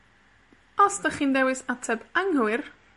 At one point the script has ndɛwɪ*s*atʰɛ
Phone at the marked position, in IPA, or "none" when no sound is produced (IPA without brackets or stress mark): s